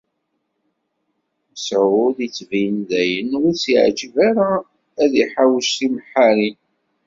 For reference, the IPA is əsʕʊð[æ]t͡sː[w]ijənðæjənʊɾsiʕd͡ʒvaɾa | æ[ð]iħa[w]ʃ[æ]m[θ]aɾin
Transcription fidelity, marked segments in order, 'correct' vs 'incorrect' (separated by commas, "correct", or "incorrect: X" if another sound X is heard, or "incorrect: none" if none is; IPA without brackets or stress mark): incorrect: i, incorrect: v, correct, correct, incorrect: i, incorrect: ħ